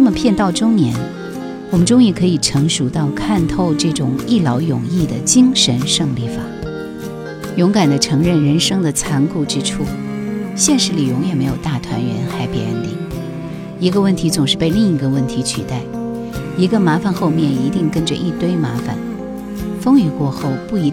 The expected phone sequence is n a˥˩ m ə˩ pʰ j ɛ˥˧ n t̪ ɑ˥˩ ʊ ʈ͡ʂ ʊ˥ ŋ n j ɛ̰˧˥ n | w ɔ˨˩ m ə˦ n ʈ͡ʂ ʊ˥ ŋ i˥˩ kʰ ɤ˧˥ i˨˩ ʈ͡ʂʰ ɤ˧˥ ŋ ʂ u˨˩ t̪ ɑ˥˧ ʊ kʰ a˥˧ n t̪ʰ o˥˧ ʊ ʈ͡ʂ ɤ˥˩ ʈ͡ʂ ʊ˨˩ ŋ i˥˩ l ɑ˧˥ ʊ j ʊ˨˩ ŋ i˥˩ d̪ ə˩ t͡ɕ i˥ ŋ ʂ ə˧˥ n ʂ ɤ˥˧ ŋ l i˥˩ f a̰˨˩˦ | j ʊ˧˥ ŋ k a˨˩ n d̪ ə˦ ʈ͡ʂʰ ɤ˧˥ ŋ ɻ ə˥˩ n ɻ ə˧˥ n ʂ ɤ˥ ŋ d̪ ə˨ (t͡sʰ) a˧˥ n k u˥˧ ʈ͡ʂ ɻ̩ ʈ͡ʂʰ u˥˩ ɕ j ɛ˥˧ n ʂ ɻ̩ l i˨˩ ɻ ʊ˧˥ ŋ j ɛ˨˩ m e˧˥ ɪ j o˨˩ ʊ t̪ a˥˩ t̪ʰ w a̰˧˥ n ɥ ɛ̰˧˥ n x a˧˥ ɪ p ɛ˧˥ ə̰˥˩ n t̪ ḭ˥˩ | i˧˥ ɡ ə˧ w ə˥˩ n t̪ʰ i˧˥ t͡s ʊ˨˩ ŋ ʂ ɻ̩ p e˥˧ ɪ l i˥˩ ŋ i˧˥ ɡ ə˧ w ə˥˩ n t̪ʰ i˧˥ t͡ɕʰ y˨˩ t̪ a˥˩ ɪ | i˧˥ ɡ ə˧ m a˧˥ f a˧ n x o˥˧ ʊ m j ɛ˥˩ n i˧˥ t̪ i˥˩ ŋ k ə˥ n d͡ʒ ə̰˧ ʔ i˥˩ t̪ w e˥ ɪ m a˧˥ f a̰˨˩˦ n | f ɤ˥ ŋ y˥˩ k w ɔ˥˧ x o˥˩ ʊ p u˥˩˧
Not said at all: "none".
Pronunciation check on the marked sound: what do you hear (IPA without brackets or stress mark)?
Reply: t͡sʰ